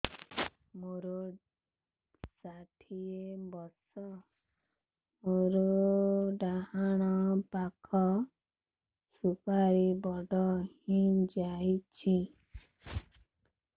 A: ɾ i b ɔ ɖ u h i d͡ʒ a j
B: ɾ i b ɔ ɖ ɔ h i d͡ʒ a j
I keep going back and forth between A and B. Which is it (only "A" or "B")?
B